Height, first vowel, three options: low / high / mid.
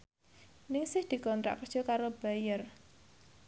high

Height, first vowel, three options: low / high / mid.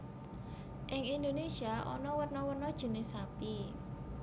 high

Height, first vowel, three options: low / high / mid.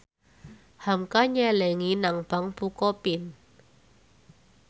low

